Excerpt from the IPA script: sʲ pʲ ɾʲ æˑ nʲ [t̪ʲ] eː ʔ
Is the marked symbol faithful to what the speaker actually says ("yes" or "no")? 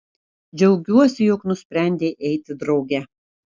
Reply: no